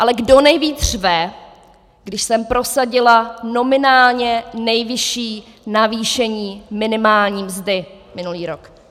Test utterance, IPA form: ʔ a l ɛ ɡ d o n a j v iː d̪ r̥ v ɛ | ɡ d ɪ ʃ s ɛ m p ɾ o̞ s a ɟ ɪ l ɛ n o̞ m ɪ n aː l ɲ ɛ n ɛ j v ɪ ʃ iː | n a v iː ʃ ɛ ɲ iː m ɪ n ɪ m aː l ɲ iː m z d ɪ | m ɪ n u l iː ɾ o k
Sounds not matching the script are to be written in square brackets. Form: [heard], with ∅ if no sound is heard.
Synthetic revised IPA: ʔ a l ɛ ɡ d o n [ɛ] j v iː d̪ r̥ v ɛ | ɡ d ɪ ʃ s ɛ m p ɾ o̞ s a ɟ ɪ l [a] n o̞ m ɪ n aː l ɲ ɛ n ɛ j v ɪ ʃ iː | n a v iː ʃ ɛ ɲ iː m ɪ n ɪ m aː l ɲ iː m z d ɪ | m ɪ n u l iː ɾ o k

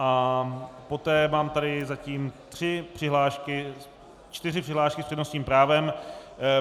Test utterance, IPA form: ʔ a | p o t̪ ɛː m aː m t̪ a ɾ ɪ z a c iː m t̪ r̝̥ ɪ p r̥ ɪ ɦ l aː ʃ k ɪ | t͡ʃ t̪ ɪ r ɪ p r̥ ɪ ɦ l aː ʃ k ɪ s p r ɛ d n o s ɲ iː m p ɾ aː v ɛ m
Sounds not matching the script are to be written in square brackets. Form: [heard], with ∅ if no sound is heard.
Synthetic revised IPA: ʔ a | p o t̪ ɛː m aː m t̪ a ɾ ɪ z a c iː m t̪ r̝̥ ɪ p r̥ ɪ ɦ l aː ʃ k ɪ | t͡ʃ t̪ ɪ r ɪ p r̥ ɪ ɦ l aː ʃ k ɪ s p r ɛ d n o s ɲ iː m p ɾ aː v ɛ m

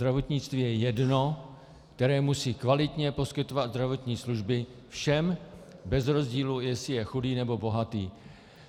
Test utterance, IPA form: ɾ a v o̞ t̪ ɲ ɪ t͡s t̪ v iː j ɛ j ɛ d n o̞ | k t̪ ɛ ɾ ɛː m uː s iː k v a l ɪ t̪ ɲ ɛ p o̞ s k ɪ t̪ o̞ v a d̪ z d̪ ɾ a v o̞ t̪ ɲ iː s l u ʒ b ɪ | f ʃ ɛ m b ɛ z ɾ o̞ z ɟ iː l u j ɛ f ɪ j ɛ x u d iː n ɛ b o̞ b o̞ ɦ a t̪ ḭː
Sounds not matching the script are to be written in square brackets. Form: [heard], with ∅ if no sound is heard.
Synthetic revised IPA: ɾ a v o̞ t̪ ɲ ɪ t͡s t̪ v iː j ɛ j ɛ d n o̞ | k t̪ ɛ ɾ ɛː m [u] s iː k v a l ɪ t̪ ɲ ɛ p o̞ s k ɪ t̪ o̞ v a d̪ z d̪ ɾ a v o̞ t̪ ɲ iː s l u ʒ b ɪ | f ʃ ɛ m b ɛ z ɾ o̞ z ɟ iː l u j ɛ [s] ɪ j ɛ x u d iː n ɛ b o̞ b o̞ ɦ a t̪ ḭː

